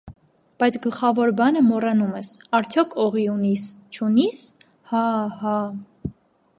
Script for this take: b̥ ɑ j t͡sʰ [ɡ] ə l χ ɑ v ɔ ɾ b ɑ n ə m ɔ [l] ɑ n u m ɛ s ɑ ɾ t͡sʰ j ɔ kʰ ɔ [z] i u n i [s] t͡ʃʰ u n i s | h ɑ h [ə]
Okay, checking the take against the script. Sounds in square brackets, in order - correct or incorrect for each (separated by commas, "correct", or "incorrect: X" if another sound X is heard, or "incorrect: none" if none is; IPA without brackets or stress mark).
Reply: correct, incorrect: r, incorrect: ʁ, correct, incorrect: ɑ